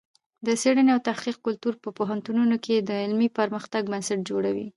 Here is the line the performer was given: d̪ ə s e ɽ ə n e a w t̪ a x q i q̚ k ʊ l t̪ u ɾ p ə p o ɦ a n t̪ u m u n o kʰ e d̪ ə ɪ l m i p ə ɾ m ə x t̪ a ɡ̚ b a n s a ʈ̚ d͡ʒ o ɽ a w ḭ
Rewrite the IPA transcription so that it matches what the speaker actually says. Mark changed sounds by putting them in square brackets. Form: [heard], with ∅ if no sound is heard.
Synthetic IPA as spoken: d̪ ə s e ɽ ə n e a w t̪ a [h] q i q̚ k ʊ l t̪ u ɾ p ə p o ɦ a n t̪ u [n] u n o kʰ e d̪ ə ɪ l m i p ə ɾ m ə x t̪ a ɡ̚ b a n s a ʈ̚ d͡ʒ o ɽ a w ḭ